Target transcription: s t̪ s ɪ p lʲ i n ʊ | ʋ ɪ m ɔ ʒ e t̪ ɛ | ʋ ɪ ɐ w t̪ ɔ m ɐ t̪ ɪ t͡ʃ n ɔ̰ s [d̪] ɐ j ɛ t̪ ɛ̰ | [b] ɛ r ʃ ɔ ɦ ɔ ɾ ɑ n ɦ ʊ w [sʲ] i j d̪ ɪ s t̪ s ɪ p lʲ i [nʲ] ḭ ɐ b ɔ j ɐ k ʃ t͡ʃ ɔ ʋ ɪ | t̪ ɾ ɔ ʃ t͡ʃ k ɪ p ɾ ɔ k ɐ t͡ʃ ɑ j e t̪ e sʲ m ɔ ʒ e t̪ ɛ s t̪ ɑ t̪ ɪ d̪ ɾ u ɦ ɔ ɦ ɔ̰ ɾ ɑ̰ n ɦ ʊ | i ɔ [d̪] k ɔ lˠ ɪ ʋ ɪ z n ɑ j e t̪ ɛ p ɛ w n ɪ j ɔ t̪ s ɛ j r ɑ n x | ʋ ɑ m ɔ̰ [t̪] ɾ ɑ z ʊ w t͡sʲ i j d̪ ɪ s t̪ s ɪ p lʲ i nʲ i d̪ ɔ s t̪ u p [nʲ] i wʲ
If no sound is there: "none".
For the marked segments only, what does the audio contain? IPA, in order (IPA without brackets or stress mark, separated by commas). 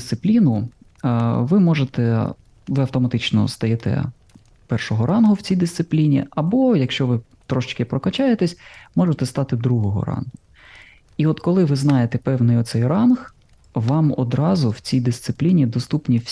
t̪, p, t͡sʲ, nʲ, t̪, d̪, nʲ